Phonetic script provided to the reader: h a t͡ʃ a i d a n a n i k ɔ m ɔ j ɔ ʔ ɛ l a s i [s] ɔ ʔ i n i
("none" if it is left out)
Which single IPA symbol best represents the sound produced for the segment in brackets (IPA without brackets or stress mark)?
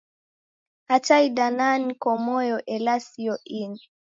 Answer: none